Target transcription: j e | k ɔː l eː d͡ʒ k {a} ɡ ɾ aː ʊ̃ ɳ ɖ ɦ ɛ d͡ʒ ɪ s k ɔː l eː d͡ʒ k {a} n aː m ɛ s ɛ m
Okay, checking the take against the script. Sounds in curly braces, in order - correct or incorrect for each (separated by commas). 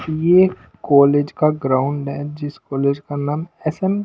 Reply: correct, correct